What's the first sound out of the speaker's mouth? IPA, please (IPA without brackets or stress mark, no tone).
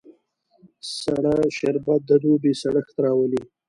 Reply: s